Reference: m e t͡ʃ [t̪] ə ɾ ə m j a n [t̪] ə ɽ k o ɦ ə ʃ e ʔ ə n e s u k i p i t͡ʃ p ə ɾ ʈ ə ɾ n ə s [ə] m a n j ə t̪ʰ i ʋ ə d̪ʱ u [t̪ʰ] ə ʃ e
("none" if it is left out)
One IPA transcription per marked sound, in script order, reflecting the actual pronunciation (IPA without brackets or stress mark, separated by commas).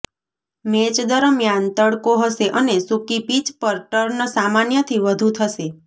d̪, t̪, a, t̪ʰ